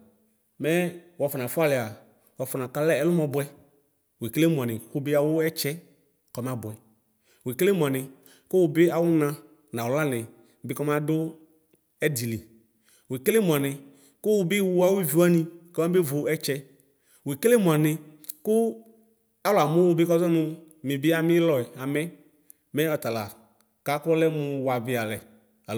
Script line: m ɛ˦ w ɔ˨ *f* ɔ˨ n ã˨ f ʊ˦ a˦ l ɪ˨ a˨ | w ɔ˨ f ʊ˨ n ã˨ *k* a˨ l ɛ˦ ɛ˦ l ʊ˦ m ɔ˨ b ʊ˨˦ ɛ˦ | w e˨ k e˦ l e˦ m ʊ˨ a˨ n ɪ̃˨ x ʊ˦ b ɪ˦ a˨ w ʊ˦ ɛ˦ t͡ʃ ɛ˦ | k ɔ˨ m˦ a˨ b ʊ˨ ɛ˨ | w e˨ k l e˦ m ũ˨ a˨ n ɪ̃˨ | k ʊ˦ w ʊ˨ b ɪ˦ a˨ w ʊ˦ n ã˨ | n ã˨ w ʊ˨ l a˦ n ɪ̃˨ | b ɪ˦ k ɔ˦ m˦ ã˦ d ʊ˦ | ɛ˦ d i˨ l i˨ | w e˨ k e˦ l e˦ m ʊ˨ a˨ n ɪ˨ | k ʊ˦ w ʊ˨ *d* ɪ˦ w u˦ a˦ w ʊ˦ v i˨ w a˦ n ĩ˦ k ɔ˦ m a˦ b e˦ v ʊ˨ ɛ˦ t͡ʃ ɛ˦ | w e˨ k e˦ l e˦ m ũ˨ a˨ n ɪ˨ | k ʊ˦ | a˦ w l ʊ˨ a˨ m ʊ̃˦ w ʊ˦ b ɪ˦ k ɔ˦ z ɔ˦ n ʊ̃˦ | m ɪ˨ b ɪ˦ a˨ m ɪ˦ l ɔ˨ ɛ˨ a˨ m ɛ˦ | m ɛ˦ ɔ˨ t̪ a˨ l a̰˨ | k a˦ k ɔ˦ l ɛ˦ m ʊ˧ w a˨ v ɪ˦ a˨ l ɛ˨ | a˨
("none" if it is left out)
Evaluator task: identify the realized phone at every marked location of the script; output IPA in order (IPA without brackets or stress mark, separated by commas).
f, k, b